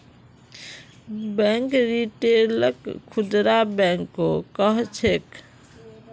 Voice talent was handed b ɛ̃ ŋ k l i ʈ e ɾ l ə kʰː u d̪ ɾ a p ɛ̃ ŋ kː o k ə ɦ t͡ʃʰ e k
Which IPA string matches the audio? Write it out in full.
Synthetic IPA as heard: b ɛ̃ ŋ k ɾ i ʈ e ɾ l ə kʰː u d̪ ɾ a b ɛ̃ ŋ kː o k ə ɦ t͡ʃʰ e k